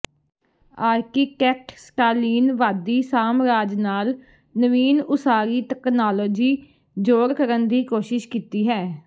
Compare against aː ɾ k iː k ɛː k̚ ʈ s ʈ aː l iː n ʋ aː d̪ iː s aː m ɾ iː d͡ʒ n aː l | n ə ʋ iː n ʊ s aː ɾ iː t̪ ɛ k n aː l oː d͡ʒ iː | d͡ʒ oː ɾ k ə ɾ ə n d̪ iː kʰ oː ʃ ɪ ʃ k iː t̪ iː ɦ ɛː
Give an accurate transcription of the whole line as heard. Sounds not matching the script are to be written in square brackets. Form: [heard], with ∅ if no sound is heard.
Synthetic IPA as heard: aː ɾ k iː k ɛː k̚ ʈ s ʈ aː l iː n ʋ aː d̪ iː s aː m ɾ [aː] d͡ʒ n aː l | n ə ʋ iː n ʊ s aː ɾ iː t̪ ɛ k n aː l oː d͡ʒ iː | d͡ʒ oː ɾ k ə ɾ ə n d̪ iː [k] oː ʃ ɪ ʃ k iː t̪ iː ɦ ɛː